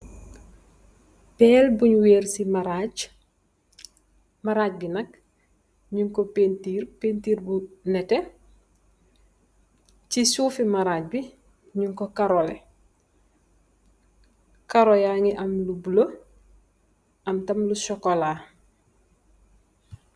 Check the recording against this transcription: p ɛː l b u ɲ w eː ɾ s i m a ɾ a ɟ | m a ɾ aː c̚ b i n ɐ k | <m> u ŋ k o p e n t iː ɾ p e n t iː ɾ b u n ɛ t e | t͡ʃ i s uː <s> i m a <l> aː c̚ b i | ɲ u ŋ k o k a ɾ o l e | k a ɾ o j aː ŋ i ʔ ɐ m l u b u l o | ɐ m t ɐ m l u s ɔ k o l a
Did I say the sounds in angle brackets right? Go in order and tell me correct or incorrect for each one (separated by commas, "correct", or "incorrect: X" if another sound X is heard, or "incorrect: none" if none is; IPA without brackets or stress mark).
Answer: incorrect: ɲ, incorrect: f, incorrect: ɾ